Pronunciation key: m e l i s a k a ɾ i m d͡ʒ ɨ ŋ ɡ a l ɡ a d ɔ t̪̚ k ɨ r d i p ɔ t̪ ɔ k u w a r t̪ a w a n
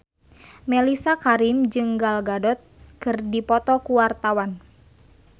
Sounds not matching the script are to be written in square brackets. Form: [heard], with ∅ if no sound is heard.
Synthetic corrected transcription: m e l i s a k a ɾ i m d͡ʒ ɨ ŋ ɡ a l ɡ a d ɔ t̪̚ k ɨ r d i p ɔ t̪ ɔ k u w a r t̪ a w a n